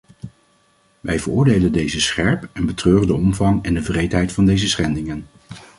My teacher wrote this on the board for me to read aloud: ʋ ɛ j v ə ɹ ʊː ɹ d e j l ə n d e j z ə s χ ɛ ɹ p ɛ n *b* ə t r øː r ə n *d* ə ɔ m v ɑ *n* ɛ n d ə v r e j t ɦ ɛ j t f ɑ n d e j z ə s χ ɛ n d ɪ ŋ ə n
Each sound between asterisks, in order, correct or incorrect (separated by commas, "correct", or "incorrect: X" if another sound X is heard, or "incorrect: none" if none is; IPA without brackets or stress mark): correct, correct, incorrect: ŋ